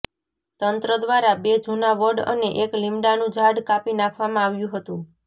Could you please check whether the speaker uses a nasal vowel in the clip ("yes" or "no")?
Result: yes